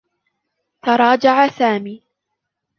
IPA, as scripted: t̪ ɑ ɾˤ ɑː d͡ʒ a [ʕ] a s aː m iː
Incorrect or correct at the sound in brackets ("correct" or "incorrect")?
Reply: correct